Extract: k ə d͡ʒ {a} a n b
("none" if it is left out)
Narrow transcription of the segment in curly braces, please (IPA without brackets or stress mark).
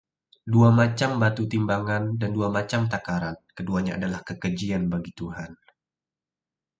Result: i